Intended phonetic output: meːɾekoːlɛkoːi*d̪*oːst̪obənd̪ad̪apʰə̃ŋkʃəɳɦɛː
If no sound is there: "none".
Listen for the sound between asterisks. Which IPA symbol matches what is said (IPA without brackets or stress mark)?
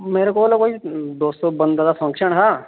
d̪